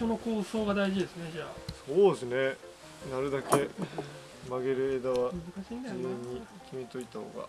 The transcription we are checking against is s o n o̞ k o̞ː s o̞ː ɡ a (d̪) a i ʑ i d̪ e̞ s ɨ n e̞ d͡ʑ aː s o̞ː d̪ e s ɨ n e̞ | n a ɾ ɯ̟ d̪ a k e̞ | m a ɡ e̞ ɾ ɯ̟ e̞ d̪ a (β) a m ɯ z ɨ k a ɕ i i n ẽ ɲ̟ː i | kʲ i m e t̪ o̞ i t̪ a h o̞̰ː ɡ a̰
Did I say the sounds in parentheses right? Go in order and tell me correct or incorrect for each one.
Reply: correct, correct

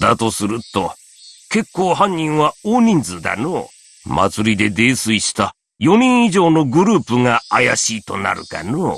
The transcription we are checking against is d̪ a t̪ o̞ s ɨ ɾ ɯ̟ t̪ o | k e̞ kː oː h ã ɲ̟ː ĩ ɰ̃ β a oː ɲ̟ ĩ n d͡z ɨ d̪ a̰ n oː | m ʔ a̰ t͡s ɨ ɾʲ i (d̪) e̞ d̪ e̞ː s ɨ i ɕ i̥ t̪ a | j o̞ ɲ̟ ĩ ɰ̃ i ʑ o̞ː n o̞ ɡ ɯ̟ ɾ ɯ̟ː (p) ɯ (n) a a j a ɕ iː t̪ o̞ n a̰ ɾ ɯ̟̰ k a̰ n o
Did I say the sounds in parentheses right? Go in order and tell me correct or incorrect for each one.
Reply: correct, correct, incorrect: ŋ

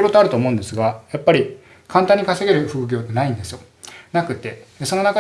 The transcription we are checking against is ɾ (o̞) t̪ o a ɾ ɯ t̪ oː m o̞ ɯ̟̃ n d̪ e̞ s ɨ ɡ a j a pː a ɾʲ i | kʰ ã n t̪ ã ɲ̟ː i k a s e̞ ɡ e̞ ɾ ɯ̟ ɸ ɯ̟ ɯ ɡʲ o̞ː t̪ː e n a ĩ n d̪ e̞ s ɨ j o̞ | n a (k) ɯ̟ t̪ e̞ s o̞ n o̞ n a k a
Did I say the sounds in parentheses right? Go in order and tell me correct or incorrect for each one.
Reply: correct, correct

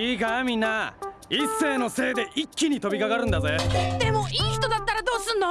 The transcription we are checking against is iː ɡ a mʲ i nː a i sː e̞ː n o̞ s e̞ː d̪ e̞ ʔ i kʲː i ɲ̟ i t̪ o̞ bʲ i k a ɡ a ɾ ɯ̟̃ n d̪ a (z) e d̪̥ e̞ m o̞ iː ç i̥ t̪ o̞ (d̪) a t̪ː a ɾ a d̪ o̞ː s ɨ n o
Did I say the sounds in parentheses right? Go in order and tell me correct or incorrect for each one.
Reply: correct, correct

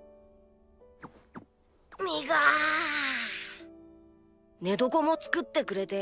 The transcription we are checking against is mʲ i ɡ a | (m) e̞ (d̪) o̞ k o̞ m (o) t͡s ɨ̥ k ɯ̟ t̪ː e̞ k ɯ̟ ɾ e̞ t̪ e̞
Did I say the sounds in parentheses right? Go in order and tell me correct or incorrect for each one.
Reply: incorrect: n, correct, correct

